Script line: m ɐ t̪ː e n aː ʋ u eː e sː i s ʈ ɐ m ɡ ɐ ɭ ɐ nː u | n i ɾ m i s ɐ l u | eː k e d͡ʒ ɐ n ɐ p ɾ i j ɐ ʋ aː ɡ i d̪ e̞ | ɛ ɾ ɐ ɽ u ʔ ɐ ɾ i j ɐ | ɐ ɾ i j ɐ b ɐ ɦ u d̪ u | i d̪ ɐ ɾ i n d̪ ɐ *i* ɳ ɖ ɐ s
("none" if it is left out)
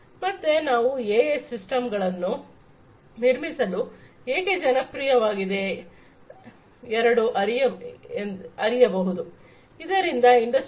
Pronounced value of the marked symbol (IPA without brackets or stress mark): i